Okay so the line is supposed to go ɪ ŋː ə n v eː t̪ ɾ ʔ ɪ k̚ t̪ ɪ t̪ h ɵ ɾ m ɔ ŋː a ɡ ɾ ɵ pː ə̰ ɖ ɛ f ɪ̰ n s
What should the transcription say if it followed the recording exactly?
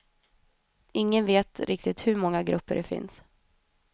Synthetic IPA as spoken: ɪ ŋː ə n v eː t̪ ɾ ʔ ɪ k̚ t̪ ɪ t̪ h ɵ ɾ m ɔ ŋː a ɡ ɾ ɵ pː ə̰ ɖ ɛ f ɪ̰ n s